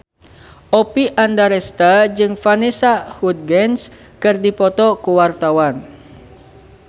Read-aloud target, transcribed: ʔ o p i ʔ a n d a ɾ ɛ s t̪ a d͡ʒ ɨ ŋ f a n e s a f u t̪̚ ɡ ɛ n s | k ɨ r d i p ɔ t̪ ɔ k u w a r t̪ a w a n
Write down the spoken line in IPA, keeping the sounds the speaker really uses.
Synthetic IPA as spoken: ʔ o p i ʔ a n d a ɾ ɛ s t̪ a d͡ʒ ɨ ŋ f a n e s a h u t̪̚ ɡ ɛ n s | k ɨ r d i p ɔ t̪ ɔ k u w a r t̪ a w a n